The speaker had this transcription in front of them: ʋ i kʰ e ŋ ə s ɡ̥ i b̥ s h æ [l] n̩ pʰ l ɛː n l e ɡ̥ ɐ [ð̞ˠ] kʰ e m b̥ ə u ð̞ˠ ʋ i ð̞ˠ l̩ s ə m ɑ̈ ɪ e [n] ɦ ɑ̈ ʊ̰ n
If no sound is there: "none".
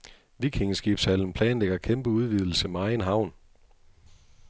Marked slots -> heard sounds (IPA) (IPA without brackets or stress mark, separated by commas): l, none, n